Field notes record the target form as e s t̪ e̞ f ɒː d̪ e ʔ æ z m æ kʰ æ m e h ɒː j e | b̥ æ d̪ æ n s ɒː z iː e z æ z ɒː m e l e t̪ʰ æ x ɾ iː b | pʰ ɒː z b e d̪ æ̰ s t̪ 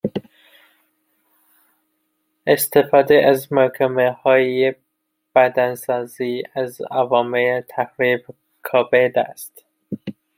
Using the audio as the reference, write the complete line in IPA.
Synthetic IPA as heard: e s t̪ e̞ f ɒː d̪ e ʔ æ z m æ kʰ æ m e h ɒː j e | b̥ æ d̪ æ n s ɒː z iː æ z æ v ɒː m e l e t̪ʰ æ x ɾ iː b | kʰ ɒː b e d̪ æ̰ s t̪